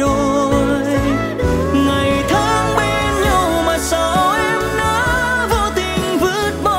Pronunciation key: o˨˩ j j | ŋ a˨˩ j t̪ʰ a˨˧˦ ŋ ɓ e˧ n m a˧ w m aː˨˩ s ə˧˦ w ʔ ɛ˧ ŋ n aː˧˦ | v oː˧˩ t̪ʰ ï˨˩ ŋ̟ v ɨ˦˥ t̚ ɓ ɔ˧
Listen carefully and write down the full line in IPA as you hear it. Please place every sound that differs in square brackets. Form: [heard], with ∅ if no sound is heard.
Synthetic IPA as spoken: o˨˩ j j | ŋ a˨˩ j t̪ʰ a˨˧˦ ŋ ɓ e˧ n [ɲ] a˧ w m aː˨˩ s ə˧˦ w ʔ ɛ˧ [m] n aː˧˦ | v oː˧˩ [t̪] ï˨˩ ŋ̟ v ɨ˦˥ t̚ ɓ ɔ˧